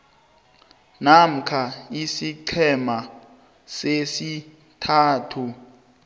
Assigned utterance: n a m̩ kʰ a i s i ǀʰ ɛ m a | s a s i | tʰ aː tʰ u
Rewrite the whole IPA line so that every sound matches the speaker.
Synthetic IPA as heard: n a m̩ kʰ a i s i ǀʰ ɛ m a | s e s i | tʰ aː tʰ u